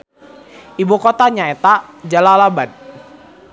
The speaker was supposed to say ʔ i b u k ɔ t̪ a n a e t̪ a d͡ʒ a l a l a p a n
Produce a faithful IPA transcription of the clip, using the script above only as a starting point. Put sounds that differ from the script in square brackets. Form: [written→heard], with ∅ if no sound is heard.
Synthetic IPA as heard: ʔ i b u k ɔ t̪ a [n→ɲ] a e t̪ a d͡ʒ a l a l a [p→b] a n